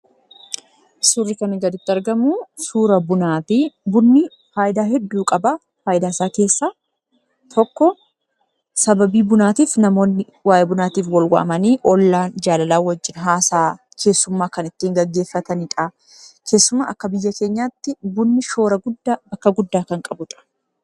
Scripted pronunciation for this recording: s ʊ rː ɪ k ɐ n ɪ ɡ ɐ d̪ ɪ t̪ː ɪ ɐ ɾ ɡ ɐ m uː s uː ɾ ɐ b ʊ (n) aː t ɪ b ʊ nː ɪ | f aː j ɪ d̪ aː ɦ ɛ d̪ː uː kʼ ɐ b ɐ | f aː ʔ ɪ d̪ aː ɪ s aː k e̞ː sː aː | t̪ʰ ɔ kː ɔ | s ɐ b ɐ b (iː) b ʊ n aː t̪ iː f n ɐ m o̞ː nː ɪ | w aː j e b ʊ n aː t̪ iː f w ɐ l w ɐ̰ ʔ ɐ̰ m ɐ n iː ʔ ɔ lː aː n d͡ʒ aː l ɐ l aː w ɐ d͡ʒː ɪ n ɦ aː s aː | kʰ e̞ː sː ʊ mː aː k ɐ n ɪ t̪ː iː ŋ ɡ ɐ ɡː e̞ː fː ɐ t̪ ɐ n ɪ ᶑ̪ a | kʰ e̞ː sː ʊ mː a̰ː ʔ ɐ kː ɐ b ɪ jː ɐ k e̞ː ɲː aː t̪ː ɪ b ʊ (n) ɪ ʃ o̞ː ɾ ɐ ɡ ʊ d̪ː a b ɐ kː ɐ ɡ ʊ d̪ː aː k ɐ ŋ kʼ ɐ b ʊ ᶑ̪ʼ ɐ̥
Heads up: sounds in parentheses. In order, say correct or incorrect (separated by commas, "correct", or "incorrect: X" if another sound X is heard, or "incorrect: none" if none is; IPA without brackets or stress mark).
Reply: correct, correct, incorrect: nː